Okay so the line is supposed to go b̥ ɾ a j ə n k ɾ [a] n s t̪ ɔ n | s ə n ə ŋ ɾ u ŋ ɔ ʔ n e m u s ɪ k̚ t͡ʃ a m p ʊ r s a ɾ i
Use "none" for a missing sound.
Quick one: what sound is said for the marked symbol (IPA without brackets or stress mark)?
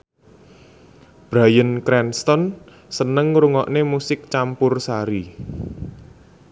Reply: ɛ